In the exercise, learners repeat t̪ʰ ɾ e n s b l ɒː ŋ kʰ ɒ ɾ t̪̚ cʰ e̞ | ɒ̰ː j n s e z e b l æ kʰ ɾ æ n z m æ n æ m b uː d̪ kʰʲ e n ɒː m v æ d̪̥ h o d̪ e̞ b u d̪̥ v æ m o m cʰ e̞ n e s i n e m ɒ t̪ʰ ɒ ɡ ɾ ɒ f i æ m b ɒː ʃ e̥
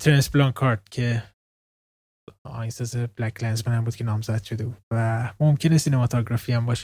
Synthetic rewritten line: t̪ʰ ɾ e n s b l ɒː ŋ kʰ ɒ ɾ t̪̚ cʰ e̞ | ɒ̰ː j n s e z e b l æ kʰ l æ n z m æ n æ m b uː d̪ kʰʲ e n ɒː m z æ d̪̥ ʃ o d̪ e̞ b u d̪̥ v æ m o m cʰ e̞ n e s i n e m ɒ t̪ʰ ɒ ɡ ɾ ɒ f i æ m b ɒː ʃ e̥